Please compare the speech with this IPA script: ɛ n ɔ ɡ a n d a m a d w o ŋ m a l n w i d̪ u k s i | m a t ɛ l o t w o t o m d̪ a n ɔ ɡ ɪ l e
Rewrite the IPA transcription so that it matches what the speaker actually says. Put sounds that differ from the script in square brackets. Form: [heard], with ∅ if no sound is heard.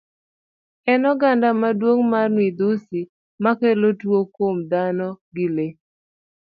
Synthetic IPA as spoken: ɛ n ɔ ɡ a n d a m a d w o ŋ m a [r] n w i d̪ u [∅] s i | m a [k] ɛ l o t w o [k] o m d̪ a n ɔ ɡ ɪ l e